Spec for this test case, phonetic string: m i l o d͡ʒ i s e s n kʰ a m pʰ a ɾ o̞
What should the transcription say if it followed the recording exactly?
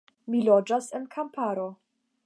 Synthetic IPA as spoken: m i l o d͡ʒ a s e n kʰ a m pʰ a ɾ o̞